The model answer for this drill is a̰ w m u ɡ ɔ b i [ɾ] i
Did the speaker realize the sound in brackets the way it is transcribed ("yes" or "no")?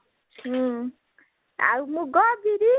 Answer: yes